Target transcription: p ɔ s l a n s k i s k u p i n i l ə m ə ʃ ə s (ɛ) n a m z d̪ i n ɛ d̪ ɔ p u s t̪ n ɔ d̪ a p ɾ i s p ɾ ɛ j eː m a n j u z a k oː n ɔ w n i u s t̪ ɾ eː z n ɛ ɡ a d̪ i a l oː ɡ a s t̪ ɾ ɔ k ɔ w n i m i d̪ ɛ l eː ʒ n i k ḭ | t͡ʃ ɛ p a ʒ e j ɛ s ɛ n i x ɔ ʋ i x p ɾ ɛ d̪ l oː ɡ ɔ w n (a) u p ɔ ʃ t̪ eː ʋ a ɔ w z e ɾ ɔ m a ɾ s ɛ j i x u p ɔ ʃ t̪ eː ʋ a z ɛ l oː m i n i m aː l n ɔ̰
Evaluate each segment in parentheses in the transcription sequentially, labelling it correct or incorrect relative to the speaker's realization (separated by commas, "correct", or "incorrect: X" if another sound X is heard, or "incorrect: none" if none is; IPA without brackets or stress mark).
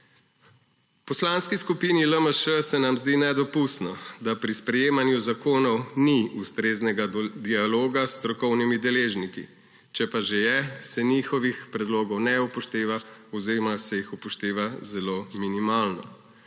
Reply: correct, incorrect: ɛ